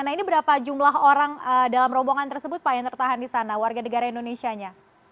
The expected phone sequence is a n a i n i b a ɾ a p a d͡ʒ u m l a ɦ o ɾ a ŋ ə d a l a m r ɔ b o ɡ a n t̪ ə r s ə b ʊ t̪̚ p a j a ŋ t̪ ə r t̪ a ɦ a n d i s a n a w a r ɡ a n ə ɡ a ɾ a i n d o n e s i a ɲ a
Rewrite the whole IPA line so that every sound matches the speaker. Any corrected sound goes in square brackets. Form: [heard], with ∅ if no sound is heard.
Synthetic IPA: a n a i n i b [ə] ɾ a p a d͡ʒ u m l a ɦ o ɾ a ŋ ə d a l a m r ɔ b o [ŋ] a n t̪ ə r s ə b ʊ t̪̚ p a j a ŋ t̪ ə r t̪ a ɦ a n d i s a n a w a r ɡ a n ə ɡ a ɾ a i n d o n e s i a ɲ a